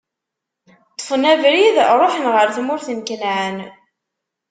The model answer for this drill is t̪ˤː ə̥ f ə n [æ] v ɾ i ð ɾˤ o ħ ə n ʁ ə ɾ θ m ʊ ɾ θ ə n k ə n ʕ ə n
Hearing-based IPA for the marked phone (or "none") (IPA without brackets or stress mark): æ